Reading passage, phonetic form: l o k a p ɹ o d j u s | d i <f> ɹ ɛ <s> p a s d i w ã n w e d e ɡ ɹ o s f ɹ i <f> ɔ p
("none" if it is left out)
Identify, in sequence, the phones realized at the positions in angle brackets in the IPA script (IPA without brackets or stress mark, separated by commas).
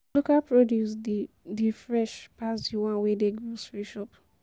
f, ʃ, ʃ